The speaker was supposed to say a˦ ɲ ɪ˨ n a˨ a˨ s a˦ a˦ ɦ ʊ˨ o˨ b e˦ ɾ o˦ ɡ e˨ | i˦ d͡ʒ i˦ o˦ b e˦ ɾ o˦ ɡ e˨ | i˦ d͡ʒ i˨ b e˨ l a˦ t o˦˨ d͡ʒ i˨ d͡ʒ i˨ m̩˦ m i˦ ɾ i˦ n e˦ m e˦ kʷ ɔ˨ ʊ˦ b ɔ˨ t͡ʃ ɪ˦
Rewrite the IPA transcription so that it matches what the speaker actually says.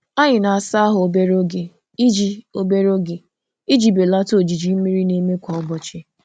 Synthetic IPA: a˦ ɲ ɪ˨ n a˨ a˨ s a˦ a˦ ɦ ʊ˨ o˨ b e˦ ɾ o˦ ɡ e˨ | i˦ d͡ʒ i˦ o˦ b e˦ ɾ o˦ ɡ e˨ | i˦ d͡ʒ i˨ b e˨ l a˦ t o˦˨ d͡ʒ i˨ d͡ʒ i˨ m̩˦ m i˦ ɾ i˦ n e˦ m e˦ kʷ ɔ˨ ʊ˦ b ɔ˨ t͡ʃ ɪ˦